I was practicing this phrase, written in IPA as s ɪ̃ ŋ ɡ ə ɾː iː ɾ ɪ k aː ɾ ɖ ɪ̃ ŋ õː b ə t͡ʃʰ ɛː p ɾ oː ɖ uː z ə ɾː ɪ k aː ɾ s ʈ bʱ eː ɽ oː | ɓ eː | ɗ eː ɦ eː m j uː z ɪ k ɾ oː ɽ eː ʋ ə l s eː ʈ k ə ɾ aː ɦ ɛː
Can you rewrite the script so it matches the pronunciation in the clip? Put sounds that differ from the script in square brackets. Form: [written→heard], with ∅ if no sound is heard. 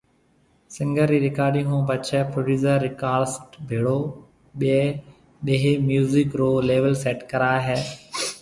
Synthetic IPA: s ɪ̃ ŋ ɡ ə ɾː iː ɾ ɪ k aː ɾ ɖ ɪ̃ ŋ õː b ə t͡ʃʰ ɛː p ɾ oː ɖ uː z ə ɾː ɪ k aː ɾ s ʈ bʱ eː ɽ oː | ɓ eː | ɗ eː ɦ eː m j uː z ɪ k ɾ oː [ɽ→l] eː ʋ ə l s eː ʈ k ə ɾ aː ɦ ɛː